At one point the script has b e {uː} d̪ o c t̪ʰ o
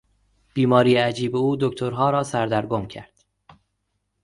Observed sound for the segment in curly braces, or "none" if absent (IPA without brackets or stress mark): uː